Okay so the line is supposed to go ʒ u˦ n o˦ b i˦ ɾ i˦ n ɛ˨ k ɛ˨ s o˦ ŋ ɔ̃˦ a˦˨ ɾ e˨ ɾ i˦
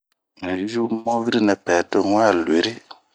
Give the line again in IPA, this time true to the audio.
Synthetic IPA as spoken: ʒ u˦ m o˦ v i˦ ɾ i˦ n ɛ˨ p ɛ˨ t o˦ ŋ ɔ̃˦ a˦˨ l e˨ ɾ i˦

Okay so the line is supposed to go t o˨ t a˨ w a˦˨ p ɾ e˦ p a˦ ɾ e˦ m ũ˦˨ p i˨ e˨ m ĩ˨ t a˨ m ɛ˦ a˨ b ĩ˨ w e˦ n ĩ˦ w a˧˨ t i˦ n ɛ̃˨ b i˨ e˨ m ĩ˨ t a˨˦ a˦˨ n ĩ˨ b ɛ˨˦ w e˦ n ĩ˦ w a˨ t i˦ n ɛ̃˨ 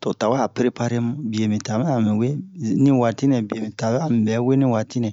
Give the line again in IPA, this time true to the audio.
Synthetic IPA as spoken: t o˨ t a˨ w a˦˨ p ɾ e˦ p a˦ ɾ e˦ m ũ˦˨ b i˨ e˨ m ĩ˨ t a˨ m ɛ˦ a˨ m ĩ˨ w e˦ n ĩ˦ w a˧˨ t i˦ n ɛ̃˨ b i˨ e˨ m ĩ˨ t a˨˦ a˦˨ m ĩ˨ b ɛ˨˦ w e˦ n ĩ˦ w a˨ t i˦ n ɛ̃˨

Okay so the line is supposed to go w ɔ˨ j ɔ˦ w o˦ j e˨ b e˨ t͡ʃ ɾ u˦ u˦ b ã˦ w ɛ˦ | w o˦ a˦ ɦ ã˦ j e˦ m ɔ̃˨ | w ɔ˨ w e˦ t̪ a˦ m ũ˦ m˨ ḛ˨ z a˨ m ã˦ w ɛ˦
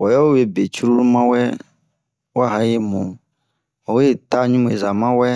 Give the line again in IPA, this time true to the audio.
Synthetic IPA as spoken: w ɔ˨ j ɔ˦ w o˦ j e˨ b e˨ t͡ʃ ɾ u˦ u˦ m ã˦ w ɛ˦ | w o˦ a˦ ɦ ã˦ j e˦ m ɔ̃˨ | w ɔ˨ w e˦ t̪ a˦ ɲ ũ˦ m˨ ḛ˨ z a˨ m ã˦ w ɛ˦

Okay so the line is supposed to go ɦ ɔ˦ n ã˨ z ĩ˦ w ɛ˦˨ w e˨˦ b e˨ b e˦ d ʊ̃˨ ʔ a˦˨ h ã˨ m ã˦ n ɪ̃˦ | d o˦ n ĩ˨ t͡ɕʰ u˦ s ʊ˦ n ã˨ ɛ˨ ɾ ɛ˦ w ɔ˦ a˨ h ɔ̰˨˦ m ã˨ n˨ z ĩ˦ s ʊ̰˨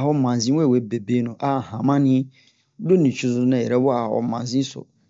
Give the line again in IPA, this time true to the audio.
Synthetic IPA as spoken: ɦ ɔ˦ m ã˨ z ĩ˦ w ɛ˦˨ w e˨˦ b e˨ b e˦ n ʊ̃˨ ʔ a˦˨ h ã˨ m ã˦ n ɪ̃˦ | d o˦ n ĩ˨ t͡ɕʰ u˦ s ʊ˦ n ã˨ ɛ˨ ɾ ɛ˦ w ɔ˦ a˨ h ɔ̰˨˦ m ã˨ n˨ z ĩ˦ s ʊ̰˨

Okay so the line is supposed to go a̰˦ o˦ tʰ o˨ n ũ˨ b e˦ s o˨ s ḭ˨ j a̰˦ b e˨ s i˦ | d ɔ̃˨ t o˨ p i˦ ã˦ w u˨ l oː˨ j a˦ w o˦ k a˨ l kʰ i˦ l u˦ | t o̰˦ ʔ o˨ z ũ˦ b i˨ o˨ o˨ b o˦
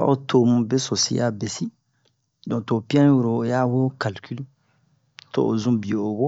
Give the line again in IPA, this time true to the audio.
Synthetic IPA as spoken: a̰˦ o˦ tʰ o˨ m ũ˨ b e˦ s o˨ s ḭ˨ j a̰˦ b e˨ s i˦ | d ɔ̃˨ t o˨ p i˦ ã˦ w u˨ ɾ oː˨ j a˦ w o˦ k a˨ l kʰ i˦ l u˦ | t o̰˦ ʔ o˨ z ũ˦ b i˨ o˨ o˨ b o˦

